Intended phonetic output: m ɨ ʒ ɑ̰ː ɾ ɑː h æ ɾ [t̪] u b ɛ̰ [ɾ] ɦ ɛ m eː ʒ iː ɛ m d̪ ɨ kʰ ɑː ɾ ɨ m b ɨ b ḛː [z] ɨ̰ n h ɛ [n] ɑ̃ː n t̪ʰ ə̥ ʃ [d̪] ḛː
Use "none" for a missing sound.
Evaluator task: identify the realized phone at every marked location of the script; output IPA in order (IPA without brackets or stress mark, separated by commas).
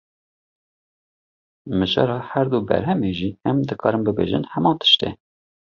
d̪, ɾ, ʒ, m, t̪